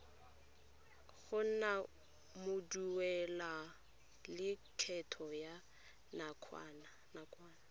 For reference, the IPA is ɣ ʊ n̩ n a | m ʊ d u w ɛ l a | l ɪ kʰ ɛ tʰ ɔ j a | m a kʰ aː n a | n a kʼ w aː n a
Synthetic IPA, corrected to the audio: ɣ ʊ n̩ n a | m ʊ d u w ɛ l a | l ɪ kʰ ɛ tʰ ɔ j a | n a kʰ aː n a | n a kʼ w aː n a